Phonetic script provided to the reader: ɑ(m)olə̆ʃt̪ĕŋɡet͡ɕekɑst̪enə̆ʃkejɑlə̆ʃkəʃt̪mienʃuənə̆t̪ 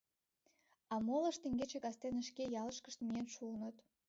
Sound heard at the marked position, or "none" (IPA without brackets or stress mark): m